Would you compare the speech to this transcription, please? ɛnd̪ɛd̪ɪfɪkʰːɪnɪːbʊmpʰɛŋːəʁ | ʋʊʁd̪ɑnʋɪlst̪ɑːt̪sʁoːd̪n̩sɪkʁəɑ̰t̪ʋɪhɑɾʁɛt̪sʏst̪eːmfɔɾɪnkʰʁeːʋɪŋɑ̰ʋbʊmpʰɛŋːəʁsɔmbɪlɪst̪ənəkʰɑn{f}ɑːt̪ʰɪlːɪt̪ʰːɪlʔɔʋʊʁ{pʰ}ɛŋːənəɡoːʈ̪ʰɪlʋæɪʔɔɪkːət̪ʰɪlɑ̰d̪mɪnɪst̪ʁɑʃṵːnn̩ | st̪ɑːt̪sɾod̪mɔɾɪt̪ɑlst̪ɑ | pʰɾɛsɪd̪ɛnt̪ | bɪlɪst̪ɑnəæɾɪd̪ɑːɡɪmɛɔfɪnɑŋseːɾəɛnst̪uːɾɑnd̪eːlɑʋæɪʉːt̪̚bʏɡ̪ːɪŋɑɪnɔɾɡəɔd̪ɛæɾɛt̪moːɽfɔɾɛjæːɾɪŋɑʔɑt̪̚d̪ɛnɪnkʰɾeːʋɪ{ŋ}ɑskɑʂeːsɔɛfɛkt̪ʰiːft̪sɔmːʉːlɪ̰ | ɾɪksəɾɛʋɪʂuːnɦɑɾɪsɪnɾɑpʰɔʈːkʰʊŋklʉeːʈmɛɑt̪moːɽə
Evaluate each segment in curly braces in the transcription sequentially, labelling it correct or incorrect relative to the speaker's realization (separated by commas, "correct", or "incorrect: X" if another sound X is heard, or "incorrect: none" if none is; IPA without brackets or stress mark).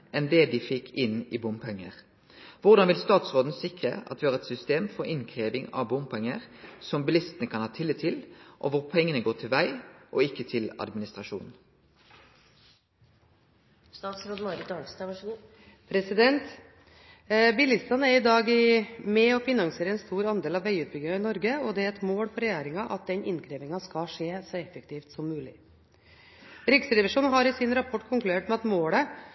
incorrect: h, correct, correct